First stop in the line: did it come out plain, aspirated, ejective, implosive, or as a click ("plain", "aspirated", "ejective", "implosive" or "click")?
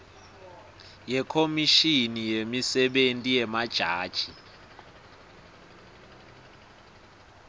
aspirated